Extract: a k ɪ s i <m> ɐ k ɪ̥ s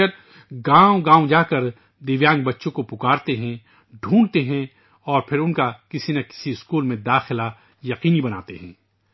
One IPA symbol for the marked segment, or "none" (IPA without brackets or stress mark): n